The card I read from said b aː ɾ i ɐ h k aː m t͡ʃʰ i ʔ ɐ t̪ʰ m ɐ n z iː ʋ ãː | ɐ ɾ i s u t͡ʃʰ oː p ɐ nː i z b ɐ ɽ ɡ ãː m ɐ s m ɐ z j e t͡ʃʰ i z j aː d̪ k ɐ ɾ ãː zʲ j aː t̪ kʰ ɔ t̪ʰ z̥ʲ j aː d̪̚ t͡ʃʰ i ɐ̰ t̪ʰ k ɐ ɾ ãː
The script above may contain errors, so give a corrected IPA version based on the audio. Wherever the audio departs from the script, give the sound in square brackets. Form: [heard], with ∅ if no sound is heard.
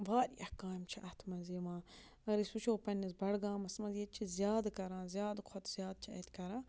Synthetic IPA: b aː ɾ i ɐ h k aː m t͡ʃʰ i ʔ ɐ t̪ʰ m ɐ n z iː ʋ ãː | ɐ ɾ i s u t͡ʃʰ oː p ɐ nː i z b ɐ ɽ ɡ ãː m ɐ s m ɐ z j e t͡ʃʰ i z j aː d̪ k ɐ ɾ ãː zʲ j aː [d̪] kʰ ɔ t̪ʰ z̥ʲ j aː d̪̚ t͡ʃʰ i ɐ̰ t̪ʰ k ɐ ɾ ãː

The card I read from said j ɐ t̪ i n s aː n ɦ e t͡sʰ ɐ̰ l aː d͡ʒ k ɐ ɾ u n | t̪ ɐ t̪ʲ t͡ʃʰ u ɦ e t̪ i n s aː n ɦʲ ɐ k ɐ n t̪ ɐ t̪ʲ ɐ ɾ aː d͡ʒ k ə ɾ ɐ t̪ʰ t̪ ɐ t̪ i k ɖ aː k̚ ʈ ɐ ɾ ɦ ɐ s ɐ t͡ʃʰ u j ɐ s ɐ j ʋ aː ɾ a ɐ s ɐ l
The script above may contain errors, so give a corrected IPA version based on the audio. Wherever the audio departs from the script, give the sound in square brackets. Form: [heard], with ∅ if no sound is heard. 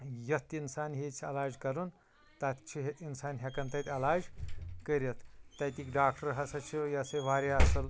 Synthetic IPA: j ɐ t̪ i n s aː n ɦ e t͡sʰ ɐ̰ l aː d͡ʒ k ɐ ɾ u n | t̪ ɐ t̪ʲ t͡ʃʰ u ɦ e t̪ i n s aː n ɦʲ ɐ k ɐ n t̪ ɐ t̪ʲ ɐ [l] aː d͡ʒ k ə ɾ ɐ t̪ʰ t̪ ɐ t̪ i k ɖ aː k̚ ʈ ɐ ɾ ɦ ɐ s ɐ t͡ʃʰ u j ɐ s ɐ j ʋ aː ɾ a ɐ s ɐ l

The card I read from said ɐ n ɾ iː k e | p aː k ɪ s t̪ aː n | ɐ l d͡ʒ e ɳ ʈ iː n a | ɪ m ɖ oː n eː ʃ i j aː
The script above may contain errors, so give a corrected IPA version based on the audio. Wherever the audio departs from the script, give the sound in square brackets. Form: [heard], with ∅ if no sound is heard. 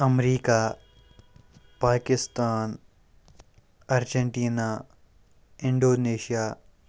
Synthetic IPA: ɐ [m] ɾ iː k [a] | p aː k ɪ s t̪ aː n | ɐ [ɾ] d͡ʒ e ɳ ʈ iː n a | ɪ [ɳ] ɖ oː n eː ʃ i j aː

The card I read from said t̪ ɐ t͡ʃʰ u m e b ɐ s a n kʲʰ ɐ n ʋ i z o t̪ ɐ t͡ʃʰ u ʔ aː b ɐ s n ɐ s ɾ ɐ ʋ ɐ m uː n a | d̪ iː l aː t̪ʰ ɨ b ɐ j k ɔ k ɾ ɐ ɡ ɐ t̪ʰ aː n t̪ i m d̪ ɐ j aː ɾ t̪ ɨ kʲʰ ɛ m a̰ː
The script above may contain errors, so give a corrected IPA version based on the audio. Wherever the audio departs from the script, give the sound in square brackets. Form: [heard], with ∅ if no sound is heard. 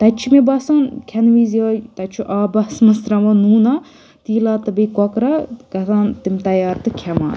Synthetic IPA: t̪ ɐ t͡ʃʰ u m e b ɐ s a n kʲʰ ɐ n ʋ i z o t̪ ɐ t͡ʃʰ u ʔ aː b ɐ s [m] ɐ s ɾ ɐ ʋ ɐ [n] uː n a | [t̪] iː l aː [t̪] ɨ b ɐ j k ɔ k ɾ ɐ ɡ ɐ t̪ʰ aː n t̪ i m [t̪] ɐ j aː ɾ t̪ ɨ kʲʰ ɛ m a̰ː

